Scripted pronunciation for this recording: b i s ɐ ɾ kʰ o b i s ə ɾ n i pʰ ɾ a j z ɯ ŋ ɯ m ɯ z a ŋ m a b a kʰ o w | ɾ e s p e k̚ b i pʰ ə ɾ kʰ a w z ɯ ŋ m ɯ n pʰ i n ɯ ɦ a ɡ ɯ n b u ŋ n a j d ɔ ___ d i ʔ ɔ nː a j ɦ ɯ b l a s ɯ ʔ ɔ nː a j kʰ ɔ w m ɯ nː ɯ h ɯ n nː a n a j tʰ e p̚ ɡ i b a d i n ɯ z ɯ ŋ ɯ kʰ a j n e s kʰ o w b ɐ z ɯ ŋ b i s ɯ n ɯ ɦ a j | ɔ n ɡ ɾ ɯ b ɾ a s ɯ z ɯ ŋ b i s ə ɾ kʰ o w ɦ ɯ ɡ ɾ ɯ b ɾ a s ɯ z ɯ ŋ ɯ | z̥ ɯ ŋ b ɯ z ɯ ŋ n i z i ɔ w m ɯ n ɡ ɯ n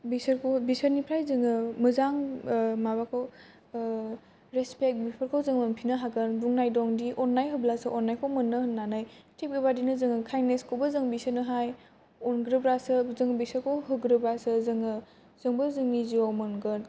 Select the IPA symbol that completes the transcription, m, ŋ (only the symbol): ŋ